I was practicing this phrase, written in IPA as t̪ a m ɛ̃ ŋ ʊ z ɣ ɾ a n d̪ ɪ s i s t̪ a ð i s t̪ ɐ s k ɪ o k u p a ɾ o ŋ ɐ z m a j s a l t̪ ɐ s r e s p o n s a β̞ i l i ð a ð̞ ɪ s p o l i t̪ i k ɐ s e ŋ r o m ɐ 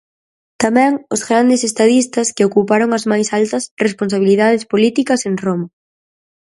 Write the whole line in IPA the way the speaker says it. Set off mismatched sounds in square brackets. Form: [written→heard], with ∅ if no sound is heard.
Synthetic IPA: t̪ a m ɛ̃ ŋ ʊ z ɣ ɾ a n d̪ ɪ s [i→e] s t̪ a ð i s t̪ ɐ s k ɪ o k u p a ɾ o ŋ ɐ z m a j s a l t̪ ɐ s r e s p o n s a β̞ i l i ð a ð̞ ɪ s p o l i t̪ i k ɐ s e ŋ r o m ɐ